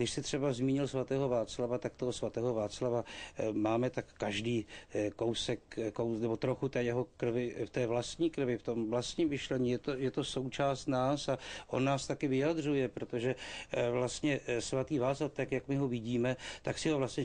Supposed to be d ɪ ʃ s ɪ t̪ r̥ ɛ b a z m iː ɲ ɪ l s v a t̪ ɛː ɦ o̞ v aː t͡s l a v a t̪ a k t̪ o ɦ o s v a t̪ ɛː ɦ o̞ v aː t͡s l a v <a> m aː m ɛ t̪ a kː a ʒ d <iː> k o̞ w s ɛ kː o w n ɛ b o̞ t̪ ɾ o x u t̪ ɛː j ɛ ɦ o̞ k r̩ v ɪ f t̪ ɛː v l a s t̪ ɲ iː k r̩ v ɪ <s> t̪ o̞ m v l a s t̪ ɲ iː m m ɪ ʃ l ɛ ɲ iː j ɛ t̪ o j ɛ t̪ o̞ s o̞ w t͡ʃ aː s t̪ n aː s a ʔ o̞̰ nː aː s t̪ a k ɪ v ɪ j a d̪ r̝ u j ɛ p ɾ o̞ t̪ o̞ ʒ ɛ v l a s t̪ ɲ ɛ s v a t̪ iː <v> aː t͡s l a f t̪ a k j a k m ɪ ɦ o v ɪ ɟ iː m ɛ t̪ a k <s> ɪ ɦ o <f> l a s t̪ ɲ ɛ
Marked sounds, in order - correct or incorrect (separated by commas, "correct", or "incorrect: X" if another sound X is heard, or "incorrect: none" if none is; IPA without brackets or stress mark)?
correct, correct, incorrect: f, correct, correct, incorrect: v